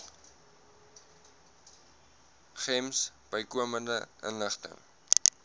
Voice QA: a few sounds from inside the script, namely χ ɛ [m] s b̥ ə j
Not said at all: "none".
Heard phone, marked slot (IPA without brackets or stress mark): m